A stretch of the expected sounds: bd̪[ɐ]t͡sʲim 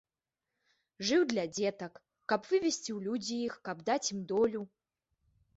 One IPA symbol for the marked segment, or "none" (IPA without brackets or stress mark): a